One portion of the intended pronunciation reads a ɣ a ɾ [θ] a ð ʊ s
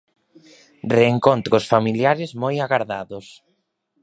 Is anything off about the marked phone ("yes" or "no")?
yes